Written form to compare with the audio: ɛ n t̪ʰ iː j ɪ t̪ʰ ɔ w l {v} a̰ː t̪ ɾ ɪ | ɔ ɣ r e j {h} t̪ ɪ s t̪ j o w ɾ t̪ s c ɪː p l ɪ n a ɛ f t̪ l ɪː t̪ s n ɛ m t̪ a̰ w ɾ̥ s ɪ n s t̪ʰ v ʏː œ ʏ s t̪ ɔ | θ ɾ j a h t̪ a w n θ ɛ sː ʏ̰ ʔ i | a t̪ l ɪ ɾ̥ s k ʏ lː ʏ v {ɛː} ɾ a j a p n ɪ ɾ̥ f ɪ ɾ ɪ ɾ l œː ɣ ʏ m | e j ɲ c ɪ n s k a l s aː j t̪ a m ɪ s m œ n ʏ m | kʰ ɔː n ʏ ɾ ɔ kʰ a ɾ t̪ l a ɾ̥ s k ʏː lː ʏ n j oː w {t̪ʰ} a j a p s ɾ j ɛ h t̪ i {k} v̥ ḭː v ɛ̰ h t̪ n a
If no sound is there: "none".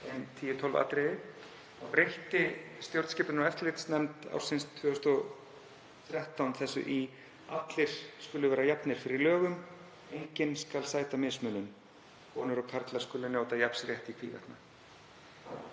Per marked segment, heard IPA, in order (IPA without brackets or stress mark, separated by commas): v, h, ɛː, t̪, kʰ